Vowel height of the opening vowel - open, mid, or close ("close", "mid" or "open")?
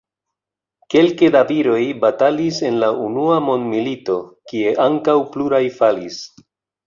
mid